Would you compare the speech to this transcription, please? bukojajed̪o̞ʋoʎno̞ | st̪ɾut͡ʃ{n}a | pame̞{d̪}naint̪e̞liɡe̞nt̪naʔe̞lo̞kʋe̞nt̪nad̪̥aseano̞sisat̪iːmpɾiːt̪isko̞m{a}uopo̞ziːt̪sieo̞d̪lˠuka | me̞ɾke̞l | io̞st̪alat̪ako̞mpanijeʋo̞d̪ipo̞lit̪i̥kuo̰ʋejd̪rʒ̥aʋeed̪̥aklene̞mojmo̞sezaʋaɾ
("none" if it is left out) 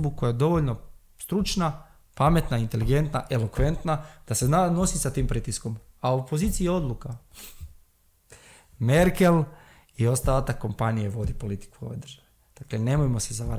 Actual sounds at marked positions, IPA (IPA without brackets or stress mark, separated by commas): n, t̪, a